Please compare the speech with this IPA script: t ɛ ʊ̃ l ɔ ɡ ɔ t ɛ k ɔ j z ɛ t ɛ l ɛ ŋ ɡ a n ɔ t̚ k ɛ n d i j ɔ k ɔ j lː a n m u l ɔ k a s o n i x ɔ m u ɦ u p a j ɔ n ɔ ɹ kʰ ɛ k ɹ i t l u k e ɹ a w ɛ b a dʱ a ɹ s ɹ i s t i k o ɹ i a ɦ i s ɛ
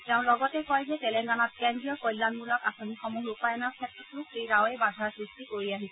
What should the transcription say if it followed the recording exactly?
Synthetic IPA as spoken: t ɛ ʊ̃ l ɔ ɡ ɔ t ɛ k ɔ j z ɛ t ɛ l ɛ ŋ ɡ a n ɔ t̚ k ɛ n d i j ɔ k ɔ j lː a n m u l ɔ k a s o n i x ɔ m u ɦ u p a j ɔ n ɔ ɹ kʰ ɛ t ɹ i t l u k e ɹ a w ɛ b a dʱ a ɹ s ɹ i s t i k o ɹ i a ɦ i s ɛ